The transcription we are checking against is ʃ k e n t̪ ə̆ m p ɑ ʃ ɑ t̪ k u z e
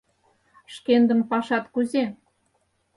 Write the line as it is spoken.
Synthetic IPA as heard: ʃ k e n d̪ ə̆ m p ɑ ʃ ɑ t̪ k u z e